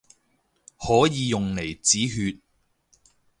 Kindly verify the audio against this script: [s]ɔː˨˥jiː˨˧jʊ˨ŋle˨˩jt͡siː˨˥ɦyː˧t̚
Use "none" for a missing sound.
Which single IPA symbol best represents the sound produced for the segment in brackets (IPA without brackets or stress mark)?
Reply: h